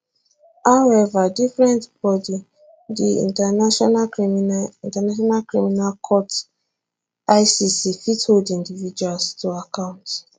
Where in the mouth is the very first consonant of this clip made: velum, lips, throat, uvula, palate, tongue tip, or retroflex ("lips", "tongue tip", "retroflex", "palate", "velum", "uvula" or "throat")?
throat